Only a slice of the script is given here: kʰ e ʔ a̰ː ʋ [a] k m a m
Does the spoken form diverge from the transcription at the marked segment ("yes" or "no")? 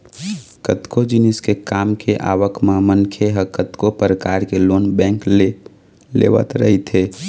yes